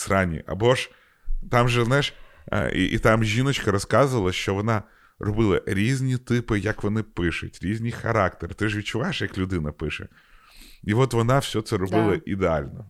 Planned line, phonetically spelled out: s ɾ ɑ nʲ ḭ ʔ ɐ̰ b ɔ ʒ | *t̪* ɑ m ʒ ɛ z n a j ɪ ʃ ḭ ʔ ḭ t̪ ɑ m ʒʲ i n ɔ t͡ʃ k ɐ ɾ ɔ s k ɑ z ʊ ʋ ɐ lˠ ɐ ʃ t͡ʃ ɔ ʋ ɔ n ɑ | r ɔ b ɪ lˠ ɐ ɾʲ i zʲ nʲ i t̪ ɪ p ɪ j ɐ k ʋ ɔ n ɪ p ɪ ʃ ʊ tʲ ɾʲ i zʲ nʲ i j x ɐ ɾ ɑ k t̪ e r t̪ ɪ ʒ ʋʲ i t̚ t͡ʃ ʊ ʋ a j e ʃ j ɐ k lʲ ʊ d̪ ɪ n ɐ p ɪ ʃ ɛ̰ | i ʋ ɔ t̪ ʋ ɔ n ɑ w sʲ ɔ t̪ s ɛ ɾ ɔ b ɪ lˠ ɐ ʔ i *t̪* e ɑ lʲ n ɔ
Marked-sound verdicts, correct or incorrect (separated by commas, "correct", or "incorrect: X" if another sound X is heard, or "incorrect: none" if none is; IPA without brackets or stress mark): correct, incorrect: d̪